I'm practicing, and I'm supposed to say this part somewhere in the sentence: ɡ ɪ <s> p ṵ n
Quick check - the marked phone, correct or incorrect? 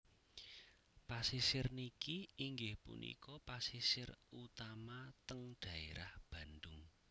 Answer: incorrect